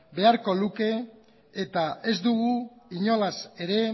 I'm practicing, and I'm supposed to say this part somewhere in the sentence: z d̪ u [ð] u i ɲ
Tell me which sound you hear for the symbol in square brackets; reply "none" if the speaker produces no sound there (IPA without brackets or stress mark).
ɣ